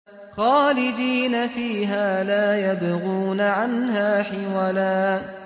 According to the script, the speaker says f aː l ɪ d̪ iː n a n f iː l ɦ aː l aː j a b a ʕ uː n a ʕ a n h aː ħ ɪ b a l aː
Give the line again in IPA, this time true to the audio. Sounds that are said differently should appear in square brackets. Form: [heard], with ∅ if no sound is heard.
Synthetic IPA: [x] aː l ɪ d̪ iː n a [∅] f iː [∅] ɦ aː l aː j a b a [ɣ] uː n a ʕ a n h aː ħ ɪ [w] a l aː